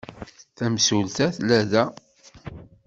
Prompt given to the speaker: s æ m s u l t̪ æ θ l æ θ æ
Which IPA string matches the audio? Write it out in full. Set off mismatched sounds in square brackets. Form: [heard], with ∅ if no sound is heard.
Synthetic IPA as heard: [θ] æ m s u l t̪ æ θ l æ [ð] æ